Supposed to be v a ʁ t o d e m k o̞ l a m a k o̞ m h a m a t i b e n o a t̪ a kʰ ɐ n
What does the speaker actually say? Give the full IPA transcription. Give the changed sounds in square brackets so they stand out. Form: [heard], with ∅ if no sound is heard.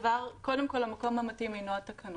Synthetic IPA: v a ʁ [k] o d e m k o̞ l a m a k o̞ m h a m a t i [m] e n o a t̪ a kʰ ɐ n